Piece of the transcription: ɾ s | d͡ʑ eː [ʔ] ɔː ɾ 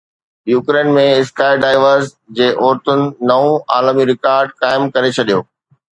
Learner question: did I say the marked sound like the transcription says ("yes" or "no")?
yes